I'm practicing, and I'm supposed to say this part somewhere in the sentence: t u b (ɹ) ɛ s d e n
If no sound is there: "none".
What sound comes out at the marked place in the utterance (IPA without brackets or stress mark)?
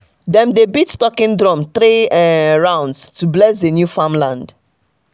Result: l